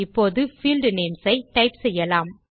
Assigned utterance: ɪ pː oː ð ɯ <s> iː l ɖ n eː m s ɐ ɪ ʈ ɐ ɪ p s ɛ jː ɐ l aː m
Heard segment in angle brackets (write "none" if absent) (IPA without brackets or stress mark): f